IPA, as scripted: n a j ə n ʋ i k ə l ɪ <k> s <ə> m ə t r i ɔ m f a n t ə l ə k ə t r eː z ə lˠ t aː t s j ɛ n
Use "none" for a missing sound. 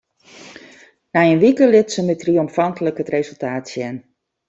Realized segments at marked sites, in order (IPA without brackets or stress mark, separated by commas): t, ə